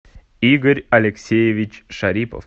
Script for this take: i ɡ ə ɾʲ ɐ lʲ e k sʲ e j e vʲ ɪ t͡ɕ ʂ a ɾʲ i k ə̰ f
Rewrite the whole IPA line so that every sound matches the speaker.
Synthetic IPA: i ɡ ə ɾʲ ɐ lʲ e k sʲ e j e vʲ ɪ t͡ɕ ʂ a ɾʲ i p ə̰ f